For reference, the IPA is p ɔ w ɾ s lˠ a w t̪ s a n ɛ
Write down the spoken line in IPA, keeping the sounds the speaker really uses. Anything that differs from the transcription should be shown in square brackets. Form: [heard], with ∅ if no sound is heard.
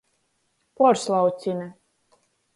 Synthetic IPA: p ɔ [∅] ɾ s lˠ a w t̪ s [i] n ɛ